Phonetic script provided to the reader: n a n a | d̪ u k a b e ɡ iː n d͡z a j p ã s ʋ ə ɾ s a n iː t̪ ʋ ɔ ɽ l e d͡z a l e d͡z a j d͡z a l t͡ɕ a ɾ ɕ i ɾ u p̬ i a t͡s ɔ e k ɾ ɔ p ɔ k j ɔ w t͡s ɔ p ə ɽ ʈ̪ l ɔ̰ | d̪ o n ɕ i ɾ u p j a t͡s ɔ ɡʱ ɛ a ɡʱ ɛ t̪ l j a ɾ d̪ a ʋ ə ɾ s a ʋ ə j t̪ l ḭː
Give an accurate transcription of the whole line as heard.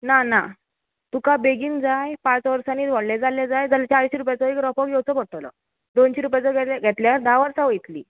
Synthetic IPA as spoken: n a n a | t̪ u k a b e ɡ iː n d͡z a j p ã t͡s ʋ ə ɾ s a n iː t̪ ʋ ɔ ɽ l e d͡z a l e d͡z a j d͡z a l t͡ɕ a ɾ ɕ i ɾ u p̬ j a t͡s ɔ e k ɾ ɔ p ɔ k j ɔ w t͡s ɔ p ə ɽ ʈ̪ l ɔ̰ | d̪ o n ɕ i ɾ u p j a t͡s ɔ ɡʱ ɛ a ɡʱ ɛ t̪ l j a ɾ d̪ a ʋ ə ɾ s a ʋ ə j t̪ l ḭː

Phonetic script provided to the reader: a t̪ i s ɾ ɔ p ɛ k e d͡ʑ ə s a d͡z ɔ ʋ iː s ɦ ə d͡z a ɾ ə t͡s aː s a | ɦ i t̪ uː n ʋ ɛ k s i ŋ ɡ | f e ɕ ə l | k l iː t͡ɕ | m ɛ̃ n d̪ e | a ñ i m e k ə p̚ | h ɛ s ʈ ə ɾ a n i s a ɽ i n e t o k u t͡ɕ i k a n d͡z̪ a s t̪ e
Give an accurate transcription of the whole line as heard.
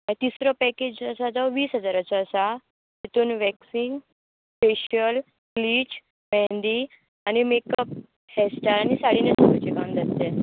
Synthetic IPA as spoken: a t̪ i s ɾ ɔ p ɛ k e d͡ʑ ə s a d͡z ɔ ʋ iː s ɦ ə d͡z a ɾ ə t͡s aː s a | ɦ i t̪ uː n ʋ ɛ k s i ŋ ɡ | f e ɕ ə l | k l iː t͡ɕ | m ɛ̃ n d̪ i | a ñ i m e k ə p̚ | h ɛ s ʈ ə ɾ a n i s a ɽ i n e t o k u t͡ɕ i k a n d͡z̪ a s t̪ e

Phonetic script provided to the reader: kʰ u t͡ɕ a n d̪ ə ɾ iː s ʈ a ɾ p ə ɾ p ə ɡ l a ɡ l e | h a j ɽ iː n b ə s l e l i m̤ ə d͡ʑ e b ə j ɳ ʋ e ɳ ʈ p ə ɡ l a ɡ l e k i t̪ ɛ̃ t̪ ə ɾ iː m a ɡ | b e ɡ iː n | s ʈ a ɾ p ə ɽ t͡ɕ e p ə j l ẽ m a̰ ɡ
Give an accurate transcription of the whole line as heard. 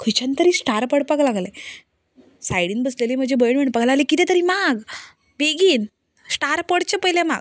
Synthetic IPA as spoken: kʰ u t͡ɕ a n t̪ ə ɾ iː s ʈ a ɾ p ə ɽ p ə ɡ l a ɡ l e | s a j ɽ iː n b ə s l e l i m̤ ə d͡ʑ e b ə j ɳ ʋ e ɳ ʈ p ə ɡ l a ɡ l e k i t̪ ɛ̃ t̪ ə ɾ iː m a ɡ | b e ɡ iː n | s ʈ a ɾ p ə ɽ t͡ɕ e p ə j l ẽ m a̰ ɡ

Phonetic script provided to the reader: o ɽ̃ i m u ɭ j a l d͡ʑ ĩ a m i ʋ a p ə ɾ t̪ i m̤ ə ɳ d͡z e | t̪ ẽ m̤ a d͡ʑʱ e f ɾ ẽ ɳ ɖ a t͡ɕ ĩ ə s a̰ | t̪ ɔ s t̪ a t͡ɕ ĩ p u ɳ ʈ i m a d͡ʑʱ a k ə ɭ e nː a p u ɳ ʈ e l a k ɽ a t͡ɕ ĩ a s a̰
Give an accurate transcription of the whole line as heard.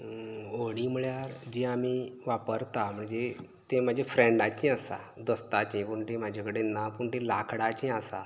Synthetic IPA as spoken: o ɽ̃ i m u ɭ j a ɾ d͡ʑ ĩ a m i ʋ a p ə ɾ t̪ a m̤ ə ɳ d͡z e | t̪ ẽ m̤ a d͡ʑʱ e f ɾ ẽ ɳ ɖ a t͡ɕ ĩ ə s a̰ | d̪ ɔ s t̪ a t͡ɕ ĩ p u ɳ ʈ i m a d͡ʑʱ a k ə ɽ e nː a p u ɳ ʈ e l a k ɽ a t͡ɕ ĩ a s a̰

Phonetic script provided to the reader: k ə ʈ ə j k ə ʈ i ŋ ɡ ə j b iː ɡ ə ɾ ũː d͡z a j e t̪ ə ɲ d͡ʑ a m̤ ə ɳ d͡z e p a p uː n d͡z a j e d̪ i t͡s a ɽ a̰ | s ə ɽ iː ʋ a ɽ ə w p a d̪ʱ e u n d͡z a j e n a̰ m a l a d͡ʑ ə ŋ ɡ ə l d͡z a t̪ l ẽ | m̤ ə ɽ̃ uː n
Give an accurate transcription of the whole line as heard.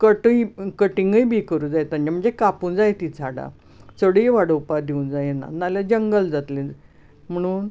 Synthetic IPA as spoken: k ə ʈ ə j k ə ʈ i ŋ ɡ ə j b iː k ə ɾ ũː d͡z a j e t̪ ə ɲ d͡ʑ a m̤ ə ɳ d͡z e k a p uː n d͡z a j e t̪ i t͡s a ɽ a̰ | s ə ɽ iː ʋ a ɽ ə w p a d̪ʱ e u n d͡z a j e n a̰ n a l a d͡ʑ ə ŋ ɡ ə l d͡z a t̪ l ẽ | m̤ ə ɽ̃ uː n

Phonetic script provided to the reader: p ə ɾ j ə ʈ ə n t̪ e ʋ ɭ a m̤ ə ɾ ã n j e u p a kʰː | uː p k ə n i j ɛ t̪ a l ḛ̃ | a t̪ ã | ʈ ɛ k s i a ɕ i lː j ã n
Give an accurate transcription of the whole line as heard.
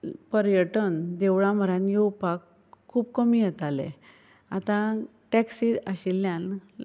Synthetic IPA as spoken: p ə ɾ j ə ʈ ə n d̪ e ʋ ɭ a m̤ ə ɾ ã n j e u p a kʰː | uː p k ə m i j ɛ t̪ a l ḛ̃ | a t̪ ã | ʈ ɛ k s i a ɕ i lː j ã n

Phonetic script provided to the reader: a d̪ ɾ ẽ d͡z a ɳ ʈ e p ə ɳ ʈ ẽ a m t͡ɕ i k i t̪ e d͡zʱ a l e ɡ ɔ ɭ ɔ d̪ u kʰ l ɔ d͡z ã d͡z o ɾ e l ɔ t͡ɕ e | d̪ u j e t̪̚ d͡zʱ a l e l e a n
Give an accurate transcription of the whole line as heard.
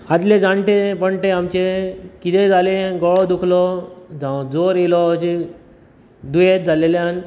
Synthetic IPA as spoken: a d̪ l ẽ d͡z a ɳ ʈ e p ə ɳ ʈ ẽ a m t͡ɕ e k i t̪ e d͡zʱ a l e ɡ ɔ ɭ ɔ d̪ u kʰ l ɔ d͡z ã d͡z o ɾ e l ɔ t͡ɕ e | d̪ u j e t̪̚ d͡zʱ a l e l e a n

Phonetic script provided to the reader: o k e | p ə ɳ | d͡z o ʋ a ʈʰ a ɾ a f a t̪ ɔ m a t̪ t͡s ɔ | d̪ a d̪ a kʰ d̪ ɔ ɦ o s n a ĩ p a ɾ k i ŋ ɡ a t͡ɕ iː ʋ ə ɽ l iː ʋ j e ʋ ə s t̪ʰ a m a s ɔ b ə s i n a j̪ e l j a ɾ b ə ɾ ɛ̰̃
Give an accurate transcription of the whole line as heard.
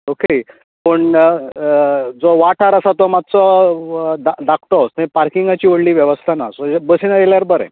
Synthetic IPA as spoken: o k e | p ə ɳ | d͡z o ʋ a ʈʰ a ɾ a s a t̪ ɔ m a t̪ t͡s ɔ | d̪ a d̪ a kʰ t̪ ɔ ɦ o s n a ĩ p a ɾ k i ŋ ɡ a t͡ɕ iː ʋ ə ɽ l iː ʋ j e ʋ ə s t̪ʰ a n a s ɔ b ə s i n a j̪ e l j a ɾ b ə ɾ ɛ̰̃

